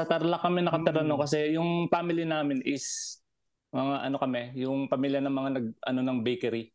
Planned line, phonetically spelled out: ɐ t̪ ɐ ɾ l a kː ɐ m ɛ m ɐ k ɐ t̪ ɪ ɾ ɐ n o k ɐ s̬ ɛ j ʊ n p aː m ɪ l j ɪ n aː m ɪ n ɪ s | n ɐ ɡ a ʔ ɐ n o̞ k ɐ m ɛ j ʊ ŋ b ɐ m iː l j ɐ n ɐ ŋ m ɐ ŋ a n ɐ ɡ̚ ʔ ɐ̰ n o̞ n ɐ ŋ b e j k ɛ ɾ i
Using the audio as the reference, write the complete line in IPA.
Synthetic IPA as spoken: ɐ t̪ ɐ ɾ l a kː ɐ m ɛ n ɐ k ɐ t̪ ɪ ɾ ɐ n o k ɐ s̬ ɛ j ʊ ŋ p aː m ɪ l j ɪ n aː m ɪ n ɪ s | m ɐ ŋ a ʔ ɐ n o̞ k ɐ m ɛ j ʊ ŋ p ɐ m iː l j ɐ n ɐ ŋ m ɐ ŋ a n ɐ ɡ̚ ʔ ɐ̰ n o̞ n ɐ ŋ b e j k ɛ ɾ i